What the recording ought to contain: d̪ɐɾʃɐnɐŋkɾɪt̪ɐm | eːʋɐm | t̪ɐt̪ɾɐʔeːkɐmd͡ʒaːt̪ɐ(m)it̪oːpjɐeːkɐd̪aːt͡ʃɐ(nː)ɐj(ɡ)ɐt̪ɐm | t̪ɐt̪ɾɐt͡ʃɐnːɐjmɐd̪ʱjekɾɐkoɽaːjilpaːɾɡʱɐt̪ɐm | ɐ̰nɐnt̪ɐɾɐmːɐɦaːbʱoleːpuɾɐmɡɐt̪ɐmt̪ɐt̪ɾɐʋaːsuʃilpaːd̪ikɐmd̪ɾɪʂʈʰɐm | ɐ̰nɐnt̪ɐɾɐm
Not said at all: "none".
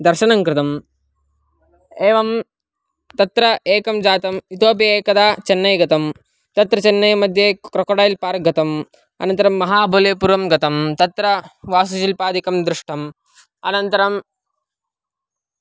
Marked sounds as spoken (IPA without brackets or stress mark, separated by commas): m, nː, ɡ